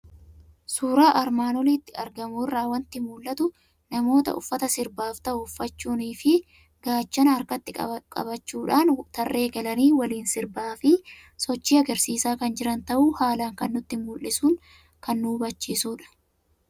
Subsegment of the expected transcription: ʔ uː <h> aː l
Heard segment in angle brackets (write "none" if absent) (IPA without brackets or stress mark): h